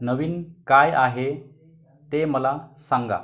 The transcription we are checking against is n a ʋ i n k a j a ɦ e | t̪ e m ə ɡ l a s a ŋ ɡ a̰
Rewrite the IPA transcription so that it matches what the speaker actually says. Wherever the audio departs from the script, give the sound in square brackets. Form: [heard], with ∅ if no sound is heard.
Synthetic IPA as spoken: n [ə] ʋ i n k a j a ɦ e | t̪ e m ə [∅] l a s a ŋ ɡ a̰